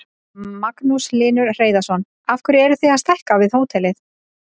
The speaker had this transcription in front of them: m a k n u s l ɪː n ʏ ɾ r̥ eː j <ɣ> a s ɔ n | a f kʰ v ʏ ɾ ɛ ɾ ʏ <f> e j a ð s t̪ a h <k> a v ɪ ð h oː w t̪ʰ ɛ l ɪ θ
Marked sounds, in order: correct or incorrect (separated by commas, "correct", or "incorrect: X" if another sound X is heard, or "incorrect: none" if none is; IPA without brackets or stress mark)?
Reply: incorrect: ð, incorrect: θ, correct